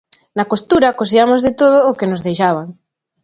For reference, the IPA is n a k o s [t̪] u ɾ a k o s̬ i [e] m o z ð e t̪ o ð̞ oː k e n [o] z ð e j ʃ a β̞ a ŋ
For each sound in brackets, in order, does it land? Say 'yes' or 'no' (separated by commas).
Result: yes, no, yes